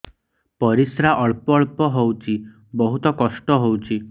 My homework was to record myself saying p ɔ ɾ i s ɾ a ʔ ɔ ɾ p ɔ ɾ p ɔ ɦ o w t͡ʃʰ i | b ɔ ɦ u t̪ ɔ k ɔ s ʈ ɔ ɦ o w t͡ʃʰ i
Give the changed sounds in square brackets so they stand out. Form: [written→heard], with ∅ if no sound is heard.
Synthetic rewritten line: p ɔ ɾ i s ɾ a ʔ ɔ [ɾ→ɭ] p ɔ [ɾ→ɭ] p ɔ ɦ o w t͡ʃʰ i | b ɔ ɦ u t̪ ɔ k ɔ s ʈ ɔ ɦ o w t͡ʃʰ i